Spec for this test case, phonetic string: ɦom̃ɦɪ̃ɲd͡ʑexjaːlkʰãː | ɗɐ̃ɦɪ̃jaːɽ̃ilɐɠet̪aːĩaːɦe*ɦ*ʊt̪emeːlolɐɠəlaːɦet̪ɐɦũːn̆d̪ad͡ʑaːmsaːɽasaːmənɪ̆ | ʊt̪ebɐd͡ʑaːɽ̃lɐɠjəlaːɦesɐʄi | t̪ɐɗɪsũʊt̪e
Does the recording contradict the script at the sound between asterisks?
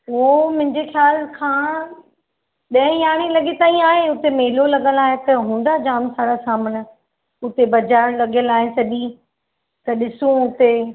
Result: yes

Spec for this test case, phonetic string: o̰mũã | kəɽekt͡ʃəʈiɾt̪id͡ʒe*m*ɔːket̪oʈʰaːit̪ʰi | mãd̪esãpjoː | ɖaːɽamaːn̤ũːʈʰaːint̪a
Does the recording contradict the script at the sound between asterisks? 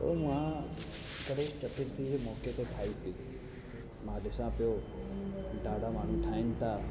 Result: no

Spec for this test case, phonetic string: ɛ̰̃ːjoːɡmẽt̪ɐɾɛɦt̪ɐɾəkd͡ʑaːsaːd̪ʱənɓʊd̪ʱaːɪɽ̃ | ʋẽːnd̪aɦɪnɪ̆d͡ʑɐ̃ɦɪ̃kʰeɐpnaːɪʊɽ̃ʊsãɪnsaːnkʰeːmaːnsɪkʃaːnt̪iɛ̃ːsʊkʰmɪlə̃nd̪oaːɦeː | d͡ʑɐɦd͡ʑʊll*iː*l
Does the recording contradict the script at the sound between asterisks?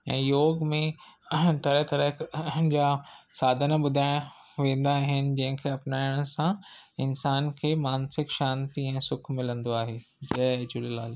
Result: yes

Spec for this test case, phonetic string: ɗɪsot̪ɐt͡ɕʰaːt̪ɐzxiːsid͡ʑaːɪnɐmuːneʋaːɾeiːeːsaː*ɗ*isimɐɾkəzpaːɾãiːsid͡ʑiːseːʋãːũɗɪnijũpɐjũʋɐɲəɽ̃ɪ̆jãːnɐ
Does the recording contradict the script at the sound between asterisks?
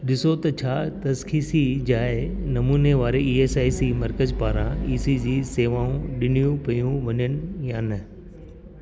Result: yes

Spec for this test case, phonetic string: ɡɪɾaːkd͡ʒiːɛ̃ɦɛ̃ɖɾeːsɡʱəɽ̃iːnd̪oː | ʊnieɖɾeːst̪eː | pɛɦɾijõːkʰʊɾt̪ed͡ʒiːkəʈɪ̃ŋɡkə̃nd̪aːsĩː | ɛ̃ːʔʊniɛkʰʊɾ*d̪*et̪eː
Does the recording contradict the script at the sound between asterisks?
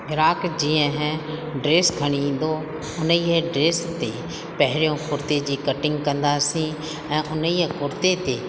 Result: yes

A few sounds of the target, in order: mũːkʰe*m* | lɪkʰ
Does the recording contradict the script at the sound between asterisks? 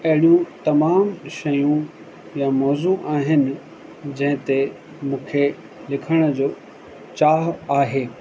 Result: yes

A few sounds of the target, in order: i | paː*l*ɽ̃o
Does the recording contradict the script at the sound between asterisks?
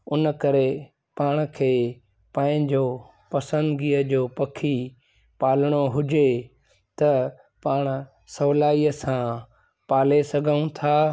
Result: no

